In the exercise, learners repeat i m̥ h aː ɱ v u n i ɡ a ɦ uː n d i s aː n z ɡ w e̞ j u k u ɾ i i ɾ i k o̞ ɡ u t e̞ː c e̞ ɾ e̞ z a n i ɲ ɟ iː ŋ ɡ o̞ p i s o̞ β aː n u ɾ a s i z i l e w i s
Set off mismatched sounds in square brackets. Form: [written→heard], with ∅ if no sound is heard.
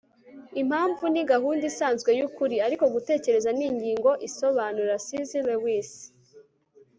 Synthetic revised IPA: i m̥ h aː ɱ v u n i ɡ a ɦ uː n d i s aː n z ɡ w e̞ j u k u ɾ i [i→a] ɾ i k o̞ ɡ u t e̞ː c e̞ ɾ e̞ z a n i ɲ ɟ iː ŋ ɡ o̞ [p→ʔ] i s o̞ β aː n u ɾ a s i z i l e w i s